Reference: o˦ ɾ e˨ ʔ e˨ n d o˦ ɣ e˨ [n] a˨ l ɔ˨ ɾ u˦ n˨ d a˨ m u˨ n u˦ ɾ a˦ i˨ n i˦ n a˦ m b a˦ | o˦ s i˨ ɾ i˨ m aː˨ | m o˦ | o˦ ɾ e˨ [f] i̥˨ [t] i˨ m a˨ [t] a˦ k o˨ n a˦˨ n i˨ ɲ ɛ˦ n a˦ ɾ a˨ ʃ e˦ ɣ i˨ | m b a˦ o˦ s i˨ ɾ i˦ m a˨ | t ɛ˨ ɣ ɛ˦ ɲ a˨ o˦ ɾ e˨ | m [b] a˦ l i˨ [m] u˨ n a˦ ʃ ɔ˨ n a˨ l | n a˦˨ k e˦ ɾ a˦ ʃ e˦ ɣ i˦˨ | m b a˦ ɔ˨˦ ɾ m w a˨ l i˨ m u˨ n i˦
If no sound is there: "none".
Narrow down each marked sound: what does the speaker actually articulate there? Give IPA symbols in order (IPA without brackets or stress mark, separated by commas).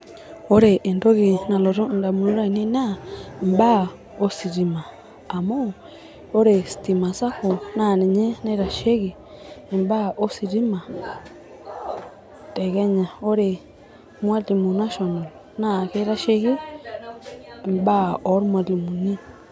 n, s, t, s, w, m